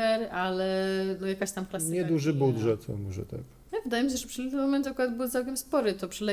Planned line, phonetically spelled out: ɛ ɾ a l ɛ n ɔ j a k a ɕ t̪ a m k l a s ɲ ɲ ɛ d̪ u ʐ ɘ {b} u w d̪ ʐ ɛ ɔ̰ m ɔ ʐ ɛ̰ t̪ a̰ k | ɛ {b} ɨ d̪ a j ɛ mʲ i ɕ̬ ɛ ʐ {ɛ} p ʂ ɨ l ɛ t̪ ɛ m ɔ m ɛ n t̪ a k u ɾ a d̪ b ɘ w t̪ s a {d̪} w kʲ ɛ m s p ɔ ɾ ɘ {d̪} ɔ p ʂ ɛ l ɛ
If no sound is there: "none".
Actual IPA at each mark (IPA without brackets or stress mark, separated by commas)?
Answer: b, v, ɛ, none, t̪